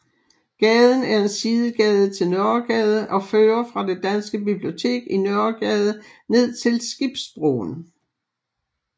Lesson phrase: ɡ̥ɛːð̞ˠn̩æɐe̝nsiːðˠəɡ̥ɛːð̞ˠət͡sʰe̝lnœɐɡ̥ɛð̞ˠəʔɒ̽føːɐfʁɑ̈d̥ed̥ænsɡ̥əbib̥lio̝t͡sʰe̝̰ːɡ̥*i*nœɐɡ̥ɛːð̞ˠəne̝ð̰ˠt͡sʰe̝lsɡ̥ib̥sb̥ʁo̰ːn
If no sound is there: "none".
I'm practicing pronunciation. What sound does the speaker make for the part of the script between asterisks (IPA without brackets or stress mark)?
i